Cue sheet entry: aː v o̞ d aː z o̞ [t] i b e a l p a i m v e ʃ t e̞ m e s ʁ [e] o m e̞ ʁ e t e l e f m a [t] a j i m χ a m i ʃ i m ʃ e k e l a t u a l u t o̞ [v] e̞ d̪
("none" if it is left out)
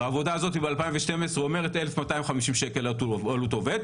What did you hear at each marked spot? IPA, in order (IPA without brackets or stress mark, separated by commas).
t, e, t, v